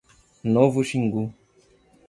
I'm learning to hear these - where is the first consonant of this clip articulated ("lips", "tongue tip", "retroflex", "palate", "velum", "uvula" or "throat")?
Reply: tongue tip